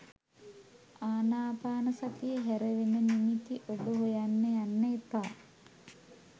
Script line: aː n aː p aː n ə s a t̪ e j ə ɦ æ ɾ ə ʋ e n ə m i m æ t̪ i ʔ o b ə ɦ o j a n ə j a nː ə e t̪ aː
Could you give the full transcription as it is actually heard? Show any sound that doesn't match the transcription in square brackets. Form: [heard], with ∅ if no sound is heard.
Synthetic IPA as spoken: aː n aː p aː n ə s a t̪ [i] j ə ɦ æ ɾ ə ʋ e n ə [n] i m [i] t̪ i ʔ o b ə ɦ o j a [nː] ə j a nː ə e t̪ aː